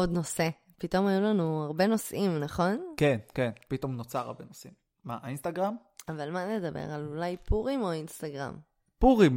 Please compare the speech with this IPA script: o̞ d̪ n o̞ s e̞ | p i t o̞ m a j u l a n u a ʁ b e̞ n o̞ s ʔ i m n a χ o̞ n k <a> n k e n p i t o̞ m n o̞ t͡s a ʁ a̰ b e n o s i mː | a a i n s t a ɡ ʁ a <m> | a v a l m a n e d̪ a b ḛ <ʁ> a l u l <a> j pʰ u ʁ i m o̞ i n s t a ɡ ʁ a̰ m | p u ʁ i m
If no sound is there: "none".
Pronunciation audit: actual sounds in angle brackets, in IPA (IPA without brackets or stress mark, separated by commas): e, m, ʁ, a